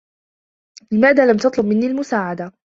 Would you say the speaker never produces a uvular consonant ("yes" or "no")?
yes